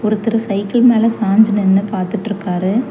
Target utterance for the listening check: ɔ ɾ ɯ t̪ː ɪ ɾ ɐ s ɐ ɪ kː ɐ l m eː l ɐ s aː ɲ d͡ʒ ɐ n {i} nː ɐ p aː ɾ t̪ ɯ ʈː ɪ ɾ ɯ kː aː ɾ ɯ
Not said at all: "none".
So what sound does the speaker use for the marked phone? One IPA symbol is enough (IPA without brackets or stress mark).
ɛ